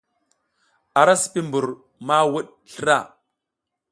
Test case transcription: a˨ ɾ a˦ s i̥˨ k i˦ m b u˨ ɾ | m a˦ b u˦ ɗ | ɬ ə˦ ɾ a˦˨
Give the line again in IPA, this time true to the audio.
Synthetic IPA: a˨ ɾ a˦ s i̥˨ p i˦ m b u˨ ɾ | m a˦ w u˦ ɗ | ɬ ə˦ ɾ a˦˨